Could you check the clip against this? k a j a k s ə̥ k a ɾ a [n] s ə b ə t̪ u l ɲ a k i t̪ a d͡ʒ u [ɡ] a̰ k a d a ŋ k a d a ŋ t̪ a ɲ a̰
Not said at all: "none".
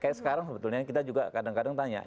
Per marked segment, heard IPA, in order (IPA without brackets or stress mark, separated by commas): ŋ, ɡ